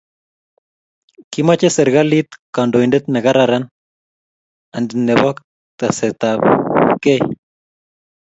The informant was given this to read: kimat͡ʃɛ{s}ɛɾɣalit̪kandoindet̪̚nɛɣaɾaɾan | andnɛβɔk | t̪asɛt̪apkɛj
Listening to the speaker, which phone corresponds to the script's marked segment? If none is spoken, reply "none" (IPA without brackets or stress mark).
s